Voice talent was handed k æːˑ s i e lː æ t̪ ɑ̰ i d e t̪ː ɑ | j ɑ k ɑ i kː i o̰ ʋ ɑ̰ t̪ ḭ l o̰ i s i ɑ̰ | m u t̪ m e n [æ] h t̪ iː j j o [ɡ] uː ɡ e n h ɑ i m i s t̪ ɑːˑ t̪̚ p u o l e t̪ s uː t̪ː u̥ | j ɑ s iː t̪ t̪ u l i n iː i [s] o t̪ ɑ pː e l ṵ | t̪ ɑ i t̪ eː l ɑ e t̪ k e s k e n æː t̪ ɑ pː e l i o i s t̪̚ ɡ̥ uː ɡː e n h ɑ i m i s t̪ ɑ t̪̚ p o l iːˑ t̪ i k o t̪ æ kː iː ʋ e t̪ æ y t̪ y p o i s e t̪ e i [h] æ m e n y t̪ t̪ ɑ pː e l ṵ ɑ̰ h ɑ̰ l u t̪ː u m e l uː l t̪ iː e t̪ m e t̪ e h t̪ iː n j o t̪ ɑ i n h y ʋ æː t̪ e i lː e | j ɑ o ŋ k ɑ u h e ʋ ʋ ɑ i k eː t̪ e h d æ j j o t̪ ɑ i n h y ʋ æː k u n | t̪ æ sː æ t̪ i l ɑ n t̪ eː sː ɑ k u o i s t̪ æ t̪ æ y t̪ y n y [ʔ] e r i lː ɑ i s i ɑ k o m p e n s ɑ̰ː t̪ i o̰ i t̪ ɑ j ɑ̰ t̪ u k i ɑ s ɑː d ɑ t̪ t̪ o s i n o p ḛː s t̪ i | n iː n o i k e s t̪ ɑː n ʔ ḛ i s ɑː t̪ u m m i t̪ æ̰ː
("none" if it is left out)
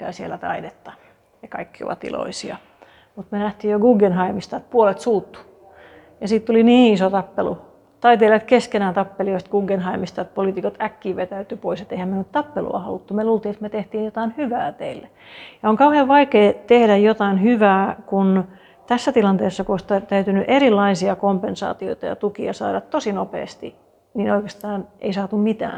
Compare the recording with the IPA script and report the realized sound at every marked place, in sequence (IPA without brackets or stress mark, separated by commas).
æ, ɡ, s, h, ʔ